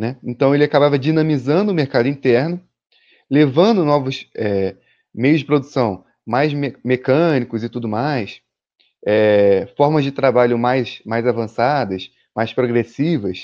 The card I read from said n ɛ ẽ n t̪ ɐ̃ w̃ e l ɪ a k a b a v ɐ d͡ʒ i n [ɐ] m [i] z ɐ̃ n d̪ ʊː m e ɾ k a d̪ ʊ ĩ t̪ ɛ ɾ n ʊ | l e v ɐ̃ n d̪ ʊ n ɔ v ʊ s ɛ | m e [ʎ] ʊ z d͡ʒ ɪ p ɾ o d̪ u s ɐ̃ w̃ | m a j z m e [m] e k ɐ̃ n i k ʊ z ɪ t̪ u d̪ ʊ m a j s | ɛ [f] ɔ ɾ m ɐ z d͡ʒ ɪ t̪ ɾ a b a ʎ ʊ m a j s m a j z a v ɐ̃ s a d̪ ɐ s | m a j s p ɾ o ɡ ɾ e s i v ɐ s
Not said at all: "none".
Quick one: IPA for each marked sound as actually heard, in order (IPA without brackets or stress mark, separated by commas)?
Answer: ɐ̃, i, j, m, f